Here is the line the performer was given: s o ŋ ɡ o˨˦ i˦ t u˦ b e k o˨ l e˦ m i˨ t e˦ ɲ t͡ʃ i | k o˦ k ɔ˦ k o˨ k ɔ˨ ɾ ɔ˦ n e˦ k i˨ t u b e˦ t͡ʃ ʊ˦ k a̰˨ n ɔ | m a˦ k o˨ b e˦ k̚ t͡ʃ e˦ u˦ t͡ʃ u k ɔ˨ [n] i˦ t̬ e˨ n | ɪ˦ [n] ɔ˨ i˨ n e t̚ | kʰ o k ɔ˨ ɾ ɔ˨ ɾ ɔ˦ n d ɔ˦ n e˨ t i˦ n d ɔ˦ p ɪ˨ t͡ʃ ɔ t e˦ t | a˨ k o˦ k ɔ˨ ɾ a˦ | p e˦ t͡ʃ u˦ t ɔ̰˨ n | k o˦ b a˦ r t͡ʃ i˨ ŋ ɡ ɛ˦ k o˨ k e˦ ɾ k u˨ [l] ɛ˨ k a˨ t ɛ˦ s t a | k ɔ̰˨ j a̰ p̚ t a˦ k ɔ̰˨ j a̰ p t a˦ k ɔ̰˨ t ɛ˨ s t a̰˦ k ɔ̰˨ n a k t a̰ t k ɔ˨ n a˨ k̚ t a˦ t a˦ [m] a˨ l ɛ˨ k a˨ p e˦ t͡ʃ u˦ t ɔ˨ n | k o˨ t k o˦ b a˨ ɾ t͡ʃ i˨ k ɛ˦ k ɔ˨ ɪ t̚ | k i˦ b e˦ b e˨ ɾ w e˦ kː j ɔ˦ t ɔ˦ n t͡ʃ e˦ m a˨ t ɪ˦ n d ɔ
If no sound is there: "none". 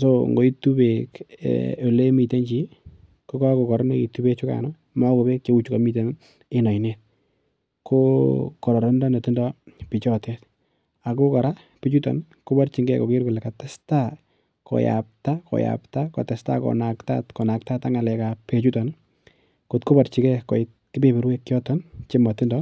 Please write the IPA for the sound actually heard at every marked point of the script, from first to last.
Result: m, n, l, ŋ

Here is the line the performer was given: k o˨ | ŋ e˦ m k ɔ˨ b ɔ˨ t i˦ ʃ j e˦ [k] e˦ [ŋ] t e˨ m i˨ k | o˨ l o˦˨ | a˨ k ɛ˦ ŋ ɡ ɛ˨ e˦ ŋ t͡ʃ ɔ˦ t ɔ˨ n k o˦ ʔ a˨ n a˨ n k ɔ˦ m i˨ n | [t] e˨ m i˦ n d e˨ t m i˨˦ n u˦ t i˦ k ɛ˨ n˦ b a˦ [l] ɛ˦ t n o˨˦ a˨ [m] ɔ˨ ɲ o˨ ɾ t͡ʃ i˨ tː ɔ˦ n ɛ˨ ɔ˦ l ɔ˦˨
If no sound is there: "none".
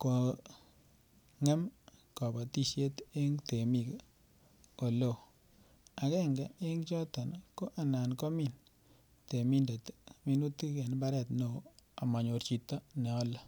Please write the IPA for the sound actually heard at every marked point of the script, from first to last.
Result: t, ŋ, t, ɾ, m

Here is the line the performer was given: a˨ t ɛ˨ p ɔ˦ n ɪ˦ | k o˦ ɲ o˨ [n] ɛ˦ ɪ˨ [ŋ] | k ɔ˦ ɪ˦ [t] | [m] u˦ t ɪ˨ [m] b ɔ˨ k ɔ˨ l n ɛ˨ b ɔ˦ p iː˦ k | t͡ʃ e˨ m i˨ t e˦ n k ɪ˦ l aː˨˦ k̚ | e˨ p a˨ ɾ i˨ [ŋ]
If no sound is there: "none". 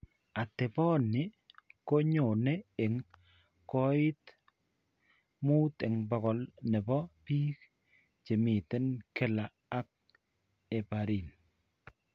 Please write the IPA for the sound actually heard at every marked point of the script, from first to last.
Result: n, ŋ, t, m, ŋ, n

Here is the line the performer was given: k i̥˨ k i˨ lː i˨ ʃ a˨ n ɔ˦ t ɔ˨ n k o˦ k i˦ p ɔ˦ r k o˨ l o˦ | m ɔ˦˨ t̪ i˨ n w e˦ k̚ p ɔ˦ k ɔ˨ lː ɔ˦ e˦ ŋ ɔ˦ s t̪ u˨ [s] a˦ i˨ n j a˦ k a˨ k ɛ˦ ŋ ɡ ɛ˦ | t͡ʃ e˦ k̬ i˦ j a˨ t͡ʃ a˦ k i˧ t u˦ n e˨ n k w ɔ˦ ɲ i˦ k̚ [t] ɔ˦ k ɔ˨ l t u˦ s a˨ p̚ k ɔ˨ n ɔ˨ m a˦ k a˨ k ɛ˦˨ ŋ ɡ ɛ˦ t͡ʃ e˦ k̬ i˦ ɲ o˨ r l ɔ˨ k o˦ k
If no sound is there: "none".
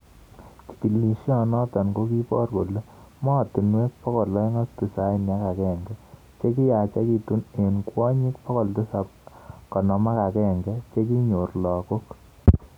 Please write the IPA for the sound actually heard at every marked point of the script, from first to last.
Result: s, p

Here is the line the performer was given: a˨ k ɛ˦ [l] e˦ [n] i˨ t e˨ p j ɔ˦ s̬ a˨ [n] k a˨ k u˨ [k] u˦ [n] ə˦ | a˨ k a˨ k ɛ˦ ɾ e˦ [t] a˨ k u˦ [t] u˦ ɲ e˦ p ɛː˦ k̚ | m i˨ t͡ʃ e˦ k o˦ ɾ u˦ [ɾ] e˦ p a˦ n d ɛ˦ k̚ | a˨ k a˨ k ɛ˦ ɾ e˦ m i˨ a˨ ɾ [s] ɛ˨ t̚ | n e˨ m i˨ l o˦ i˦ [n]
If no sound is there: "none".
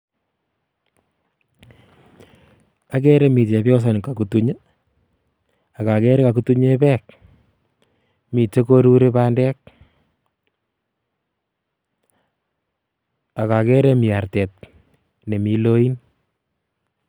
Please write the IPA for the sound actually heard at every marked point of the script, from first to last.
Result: ɾ, m, n, t, ɲ, k, t, ɾ, t, n

